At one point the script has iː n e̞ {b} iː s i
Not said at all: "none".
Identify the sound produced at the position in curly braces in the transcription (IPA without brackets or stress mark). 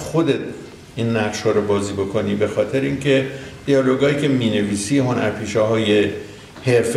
v